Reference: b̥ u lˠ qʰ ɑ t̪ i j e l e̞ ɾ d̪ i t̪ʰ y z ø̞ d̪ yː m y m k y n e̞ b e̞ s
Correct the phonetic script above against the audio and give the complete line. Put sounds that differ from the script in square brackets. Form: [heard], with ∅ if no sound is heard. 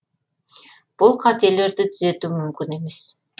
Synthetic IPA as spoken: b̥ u lˠ qʰ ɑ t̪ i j e l e̞ ɾ d̪ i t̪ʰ y z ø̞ [t̪] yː m y m k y n e̞ [m] e̞ s